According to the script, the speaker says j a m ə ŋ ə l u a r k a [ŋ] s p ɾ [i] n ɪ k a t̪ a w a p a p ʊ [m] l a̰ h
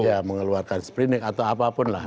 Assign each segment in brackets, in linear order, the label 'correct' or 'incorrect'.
incorrect, correct, incorrect

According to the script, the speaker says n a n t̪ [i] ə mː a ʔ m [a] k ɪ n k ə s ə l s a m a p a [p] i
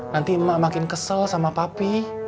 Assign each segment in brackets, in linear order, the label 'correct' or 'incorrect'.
correct, correct, correct

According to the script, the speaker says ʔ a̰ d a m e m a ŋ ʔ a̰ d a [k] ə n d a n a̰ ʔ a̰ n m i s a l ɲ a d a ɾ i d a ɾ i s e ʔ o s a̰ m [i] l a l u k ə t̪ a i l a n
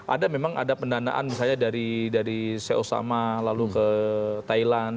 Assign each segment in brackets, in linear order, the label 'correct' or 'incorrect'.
incorrect, incorrect

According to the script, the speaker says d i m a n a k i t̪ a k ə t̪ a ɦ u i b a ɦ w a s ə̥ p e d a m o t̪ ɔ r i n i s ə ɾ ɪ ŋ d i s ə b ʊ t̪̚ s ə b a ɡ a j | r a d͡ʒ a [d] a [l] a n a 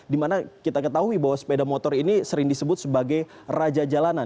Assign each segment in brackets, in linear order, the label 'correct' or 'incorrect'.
incorrect, correct

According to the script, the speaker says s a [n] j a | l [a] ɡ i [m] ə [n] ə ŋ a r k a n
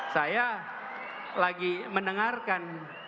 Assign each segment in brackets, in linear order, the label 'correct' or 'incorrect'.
incorrect, correct, correct, correct

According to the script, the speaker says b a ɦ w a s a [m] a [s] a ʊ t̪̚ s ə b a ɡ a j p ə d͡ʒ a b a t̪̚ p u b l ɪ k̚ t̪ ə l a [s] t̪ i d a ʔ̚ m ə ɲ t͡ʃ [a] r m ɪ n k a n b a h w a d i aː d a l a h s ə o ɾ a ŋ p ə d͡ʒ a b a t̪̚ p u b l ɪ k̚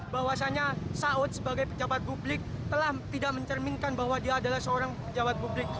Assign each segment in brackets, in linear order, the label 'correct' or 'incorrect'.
incorrect, correct, incorrect, incorrect

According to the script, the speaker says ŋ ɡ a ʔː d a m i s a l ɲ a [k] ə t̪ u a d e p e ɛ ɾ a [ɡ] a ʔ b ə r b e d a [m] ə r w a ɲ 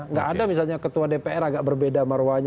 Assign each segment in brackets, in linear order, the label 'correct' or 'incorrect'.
correct, correct, correct

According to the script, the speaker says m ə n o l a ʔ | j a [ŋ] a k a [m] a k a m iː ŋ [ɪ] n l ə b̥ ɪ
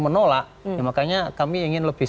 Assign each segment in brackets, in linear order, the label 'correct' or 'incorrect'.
incorrect, incorrect, correct

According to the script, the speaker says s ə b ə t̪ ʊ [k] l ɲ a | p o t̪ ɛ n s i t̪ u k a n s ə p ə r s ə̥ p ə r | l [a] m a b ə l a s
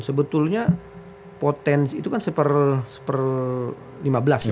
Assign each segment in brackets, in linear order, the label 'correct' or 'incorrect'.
incorrect, incorrect

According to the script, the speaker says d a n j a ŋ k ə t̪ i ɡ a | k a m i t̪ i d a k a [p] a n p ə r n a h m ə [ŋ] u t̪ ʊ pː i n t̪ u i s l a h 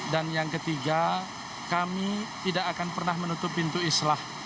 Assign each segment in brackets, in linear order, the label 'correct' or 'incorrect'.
incorrect, incorrect

